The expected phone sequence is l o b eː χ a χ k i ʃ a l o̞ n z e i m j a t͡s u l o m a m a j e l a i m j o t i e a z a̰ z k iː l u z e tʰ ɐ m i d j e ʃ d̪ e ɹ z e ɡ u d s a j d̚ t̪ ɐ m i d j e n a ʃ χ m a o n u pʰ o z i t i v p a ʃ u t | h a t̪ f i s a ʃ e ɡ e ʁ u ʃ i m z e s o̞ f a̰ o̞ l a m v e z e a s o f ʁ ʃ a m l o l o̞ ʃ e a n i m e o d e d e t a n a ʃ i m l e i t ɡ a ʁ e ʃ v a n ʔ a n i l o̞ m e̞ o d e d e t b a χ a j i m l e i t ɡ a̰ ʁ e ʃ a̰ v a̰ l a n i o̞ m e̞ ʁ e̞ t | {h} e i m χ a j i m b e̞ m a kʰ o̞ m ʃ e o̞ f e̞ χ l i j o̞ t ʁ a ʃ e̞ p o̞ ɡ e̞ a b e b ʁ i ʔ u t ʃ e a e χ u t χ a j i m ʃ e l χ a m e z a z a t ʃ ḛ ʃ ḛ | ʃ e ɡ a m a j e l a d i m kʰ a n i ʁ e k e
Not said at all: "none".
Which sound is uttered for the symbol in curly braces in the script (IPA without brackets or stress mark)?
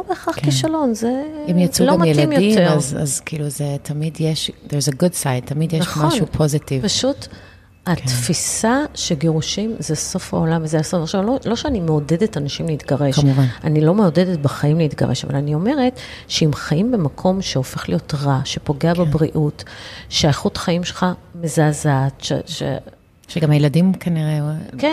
ʃ